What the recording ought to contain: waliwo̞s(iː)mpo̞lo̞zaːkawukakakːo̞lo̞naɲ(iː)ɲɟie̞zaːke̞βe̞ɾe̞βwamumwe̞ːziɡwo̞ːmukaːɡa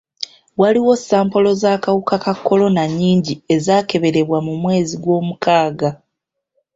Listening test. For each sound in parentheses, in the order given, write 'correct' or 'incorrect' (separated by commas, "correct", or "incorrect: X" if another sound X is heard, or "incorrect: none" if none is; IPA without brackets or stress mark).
incorrect: aː, correct